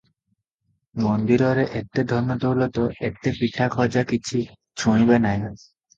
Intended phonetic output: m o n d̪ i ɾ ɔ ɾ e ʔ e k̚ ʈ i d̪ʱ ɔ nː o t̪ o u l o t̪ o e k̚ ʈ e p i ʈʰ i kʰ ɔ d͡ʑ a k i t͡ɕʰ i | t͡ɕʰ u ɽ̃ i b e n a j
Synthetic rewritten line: m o n d̪ i ɾ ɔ ɾ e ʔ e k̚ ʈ e d̪ʱ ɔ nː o t̪ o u l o t̪ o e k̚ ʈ e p i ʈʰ a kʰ ɔ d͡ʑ a k i t͡ɕʰ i | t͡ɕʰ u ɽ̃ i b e n a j